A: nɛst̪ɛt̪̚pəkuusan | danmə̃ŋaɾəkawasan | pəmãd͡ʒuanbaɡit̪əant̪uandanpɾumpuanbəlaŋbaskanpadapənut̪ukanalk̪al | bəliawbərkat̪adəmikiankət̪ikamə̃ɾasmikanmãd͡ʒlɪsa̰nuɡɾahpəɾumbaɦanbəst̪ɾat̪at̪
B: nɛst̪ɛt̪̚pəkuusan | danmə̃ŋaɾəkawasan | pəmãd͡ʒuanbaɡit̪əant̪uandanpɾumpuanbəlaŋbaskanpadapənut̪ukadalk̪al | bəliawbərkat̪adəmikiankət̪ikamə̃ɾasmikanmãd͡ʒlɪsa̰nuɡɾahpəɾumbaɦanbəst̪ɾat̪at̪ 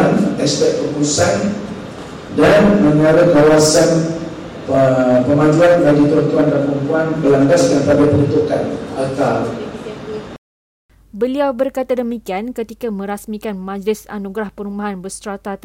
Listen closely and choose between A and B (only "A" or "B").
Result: A